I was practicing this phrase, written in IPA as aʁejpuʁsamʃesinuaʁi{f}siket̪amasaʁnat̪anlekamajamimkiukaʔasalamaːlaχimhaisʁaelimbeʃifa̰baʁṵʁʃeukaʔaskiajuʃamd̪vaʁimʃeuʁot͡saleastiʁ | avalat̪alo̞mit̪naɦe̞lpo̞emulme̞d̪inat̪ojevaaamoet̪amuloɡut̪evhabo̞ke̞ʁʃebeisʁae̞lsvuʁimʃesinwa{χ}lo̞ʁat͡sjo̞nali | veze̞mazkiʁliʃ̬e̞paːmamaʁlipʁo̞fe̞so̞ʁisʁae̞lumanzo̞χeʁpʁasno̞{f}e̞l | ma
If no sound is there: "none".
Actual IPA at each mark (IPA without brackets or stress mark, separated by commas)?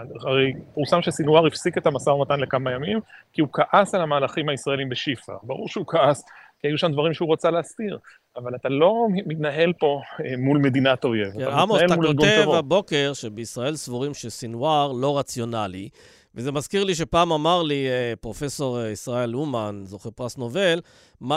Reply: f, ʁ, v